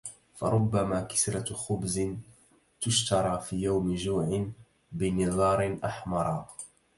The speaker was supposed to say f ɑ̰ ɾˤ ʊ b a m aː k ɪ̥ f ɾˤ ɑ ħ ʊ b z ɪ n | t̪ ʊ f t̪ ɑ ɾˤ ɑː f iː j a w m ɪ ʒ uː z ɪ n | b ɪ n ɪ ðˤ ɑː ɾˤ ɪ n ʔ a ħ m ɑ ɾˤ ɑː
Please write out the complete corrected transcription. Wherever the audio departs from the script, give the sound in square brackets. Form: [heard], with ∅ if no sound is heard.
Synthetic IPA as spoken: f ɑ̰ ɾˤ ʊ [bː] a m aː k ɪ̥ [s] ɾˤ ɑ [x] ʊ b z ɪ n | t̪ ʊ [ʃ] t̪ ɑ ɾˤ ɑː f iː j a w m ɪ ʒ uː [ʕ] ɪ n | b ɪ n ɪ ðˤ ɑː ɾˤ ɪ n ʔ a ħ m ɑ ɾˤ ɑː